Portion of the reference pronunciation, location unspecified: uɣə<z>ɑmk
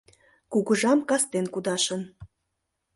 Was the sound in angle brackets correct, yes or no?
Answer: no